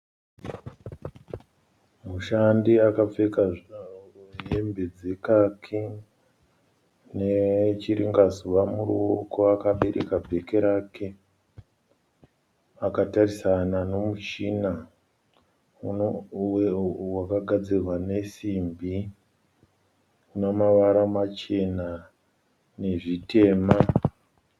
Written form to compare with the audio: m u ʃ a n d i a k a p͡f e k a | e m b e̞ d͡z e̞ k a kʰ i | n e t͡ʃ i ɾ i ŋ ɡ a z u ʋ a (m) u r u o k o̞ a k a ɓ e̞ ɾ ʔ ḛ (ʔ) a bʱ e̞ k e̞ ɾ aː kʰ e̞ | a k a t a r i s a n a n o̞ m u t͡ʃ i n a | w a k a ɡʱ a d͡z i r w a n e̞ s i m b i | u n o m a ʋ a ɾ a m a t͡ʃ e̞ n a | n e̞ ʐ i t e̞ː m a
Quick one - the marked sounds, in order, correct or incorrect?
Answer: correct, incorrect: k

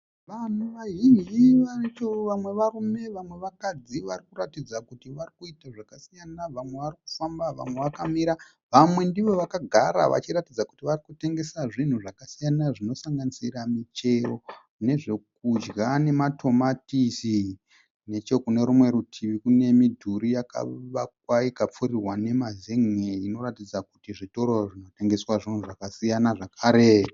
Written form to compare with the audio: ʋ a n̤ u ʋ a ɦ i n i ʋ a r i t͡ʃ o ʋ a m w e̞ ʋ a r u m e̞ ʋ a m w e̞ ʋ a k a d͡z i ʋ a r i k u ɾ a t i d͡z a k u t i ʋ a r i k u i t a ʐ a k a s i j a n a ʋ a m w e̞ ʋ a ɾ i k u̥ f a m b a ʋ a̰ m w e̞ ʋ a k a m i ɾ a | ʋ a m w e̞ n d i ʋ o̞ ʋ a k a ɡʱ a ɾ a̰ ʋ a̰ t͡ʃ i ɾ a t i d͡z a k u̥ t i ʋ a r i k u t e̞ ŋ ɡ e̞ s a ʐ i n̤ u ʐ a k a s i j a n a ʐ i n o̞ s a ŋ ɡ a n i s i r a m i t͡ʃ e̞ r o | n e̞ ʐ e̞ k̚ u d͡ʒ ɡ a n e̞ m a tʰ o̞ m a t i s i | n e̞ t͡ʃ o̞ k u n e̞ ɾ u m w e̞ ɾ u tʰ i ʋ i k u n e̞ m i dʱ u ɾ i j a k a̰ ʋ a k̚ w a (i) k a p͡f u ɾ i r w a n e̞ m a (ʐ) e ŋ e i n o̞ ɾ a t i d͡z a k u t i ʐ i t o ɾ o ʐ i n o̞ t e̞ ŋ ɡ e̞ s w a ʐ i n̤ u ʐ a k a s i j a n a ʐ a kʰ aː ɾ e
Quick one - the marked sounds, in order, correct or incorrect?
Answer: correct, incorrect: z

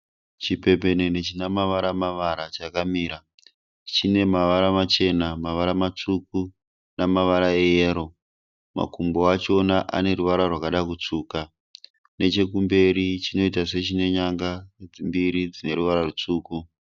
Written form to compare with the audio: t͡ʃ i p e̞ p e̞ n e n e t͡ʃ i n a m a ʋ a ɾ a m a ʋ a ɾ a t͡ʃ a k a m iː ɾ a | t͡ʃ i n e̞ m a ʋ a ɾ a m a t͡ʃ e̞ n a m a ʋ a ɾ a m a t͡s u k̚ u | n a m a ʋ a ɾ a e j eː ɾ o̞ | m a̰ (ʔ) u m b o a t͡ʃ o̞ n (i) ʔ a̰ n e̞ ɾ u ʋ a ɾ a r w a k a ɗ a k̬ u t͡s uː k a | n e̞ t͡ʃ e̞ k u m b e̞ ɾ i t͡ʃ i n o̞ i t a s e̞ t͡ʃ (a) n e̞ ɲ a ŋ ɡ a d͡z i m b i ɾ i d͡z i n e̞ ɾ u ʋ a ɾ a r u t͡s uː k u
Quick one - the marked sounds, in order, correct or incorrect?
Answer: incorrect: k, incorrect: a, incorrect: i

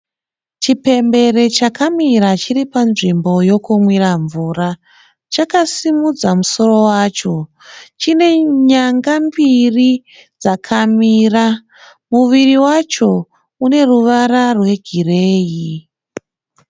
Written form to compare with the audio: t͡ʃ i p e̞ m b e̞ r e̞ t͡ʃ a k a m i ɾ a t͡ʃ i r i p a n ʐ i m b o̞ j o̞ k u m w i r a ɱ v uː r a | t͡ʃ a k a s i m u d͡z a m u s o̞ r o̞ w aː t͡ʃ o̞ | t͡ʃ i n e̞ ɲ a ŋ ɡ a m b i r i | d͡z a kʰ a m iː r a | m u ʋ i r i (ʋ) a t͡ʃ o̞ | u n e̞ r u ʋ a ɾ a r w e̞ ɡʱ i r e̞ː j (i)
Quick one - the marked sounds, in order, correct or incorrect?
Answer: incorrect: w, correct

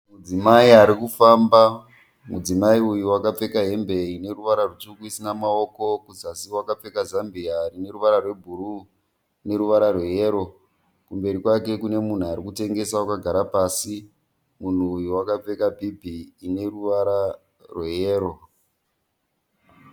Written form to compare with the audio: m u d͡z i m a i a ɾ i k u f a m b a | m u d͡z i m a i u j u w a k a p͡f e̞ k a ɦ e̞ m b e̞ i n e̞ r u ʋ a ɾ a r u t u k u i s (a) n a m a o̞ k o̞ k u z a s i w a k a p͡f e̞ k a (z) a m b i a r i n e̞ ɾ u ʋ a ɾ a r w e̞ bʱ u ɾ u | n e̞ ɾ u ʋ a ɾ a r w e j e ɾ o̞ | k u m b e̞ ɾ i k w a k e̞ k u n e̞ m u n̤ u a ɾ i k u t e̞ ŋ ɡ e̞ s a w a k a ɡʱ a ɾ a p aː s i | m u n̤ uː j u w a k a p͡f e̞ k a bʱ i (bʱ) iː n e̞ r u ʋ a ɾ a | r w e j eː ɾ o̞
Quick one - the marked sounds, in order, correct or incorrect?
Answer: incorrect: i, correct, correct

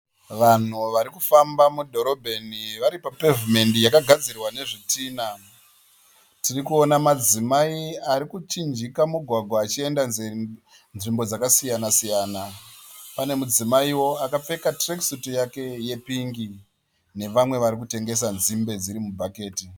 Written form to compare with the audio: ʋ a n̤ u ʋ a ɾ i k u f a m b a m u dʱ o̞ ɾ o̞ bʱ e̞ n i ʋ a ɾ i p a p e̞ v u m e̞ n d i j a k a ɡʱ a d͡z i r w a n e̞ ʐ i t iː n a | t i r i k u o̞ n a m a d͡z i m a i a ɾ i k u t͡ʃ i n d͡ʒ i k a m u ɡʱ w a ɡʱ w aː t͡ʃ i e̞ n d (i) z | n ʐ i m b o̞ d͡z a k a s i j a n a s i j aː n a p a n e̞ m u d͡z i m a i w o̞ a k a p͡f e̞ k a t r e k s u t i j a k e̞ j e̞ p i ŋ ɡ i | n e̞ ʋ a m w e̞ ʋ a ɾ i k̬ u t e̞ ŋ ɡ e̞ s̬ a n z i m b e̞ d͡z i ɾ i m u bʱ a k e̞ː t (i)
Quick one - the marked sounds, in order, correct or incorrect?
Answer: incorrect: a, correct

